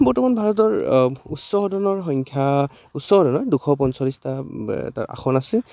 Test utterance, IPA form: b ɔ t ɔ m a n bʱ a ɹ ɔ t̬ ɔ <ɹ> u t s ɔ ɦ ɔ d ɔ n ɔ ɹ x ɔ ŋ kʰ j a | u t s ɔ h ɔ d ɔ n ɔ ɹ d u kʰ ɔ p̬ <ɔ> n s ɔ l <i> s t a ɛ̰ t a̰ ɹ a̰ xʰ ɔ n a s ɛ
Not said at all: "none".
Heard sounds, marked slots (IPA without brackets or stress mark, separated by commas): ɹ, ɔ, i